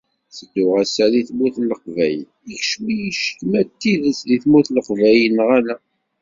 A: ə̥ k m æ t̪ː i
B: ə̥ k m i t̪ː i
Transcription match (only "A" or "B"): A